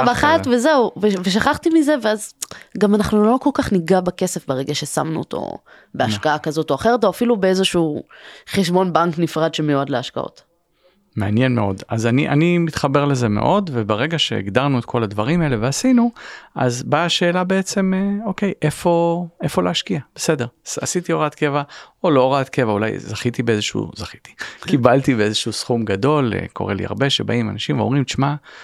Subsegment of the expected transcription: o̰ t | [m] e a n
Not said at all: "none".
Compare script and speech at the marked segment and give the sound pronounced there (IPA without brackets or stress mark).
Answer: m